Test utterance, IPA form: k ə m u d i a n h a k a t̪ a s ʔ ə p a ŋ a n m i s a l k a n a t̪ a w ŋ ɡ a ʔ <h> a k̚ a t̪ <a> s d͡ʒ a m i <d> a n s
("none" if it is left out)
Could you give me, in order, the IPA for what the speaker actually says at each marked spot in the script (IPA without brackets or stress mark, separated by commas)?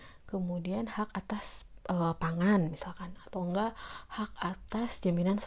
h, a, n